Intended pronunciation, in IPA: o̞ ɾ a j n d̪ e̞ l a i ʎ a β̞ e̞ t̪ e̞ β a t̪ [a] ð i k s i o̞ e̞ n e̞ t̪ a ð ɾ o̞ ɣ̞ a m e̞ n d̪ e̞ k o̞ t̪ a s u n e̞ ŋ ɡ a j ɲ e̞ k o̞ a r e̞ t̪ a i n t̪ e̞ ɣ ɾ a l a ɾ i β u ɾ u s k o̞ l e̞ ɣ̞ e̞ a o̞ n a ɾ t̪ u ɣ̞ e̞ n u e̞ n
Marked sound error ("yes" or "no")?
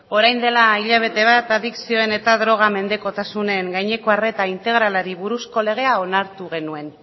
no